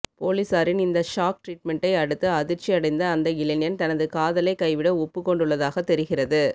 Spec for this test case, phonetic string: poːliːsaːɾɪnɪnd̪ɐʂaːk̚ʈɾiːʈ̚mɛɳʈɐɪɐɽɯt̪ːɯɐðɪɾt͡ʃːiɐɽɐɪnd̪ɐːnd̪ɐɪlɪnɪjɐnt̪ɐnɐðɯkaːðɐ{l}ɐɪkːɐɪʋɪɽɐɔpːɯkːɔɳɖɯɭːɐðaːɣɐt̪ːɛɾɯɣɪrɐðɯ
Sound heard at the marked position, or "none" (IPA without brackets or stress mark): l